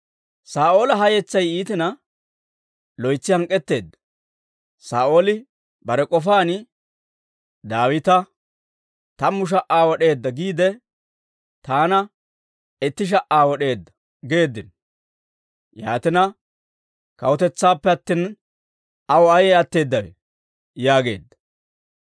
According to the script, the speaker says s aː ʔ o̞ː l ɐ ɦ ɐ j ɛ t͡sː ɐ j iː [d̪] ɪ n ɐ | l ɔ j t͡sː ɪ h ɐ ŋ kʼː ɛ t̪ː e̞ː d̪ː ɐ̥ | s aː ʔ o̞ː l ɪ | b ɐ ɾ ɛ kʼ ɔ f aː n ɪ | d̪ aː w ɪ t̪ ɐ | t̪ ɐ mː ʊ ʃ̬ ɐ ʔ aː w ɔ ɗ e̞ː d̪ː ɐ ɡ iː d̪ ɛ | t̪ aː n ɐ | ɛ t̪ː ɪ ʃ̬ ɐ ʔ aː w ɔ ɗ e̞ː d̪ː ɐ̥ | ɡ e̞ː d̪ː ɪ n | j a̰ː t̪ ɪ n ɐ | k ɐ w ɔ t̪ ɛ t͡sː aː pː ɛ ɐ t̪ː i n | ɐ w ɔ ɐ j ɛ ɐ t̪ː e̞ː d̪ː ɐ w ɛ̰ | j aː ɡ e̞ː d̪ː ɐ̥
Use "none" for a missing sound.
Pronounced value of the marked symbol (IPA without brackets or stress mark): t̪